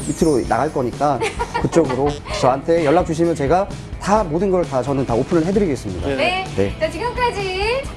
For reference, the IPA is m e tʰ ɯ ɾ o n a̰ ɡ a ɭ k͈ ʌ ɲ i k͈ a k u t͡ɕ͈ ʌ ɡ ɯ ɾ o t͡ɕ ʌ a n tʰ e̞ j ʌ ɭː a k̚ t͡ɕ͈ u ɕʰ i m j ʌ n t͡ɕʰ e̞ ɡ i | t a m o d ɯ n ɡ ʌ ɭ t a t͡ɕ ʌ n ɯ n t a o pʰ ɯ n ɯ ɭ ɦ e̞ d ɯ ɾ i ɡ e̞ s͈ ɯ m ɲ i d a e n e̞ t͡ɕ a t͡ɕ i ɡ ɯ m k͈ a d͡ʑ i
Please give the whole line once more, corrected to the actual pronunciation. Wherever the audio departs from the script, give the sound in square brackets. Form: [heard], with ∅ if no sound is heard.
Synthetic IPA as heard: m [i] tʰ ɯ ɾ o n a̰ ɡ a ɭ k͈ ʌ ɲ i k͈ a k [ɯ] t͡ɕ͈ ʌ ɡ ɯ ɾ o t͡ɕ ʌ a n tʰ e̞ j ʌ ɭː a k̚ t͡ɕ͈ u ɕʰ i m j ʌ n [t͡ɕ] e̞ ɡ [a] | t a m o d ɯ n ɡ ʌ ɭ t a t͡ɕ ʌ n ɯ n t a o pʰ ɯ n ɯ ɭ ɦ e̞ d ɯ ɾ i ɡ e̞ s͈ ɯ m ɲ i d a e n e̞ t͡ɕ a t͡ɕ i ɡ ɯ m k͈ a d͡ʑ i